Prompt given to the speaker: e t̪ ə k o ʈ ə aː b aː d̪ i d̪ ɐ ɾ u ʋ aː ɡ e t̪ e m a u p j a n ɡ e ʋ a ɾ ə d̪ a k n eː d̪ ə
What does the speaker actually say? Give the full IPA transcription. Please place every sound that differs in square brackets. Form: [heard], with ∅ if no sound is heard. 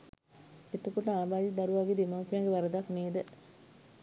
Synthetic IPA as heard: e t̪ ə k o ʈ ə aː b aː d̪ i d̪ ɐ ɾ u ʋ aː ɡ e [d̪] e m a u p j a [ŋ] ɡ e ʋ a ɾ ə d̪ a k n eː d̪ ə